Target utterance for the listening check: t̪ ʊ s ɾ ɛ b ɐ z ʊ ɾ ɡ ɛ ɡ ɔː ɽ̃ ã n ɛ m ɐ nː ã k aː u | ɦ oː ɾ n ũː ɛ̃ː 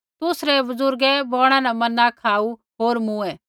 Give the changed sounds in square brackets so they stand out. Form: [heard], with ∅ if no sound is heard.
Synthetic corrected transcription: t̪ ʊ s ɾ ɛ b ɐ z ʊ ɾ ɡ ɛ [b] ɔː ɽ̃ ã n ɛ m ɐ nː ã [kʰ] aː u | ɦ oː ɾ [m] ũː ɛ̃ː